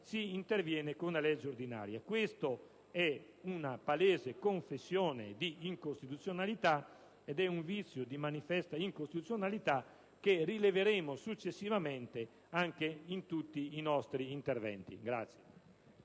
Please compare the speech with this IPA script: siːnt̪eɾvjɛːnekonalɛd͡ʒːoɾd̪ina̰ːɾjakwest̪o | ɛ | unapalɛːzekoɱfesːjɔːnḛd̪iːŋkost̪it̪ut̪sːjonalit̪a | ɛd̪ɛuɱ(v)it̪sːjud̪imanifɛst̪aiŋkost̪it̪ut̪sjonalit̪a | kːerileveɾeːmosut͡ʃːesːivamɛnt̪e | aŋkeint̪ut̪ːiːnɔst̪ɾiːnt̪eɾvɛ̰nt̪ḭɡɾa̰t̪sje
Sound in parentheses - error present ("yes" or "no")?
no